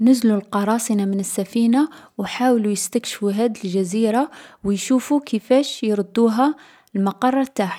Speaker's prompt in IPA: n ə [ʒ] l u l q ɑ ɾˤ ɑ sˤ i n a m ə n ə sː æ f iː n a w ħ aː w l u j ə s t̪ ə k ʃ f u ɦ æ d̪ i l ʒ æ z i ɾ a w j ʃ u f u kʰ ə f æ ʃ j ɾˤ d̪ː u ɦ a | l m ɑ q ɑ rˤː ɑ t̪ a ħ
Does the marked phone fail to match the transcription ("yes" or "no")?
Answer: yes